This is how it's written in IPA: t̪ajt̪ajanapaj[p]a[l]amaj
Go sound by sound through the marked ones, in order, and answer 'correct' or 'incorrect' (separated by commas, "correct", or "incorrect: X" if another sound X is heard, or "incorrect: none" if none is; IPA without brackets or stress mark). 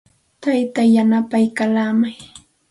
incorrect: k, correct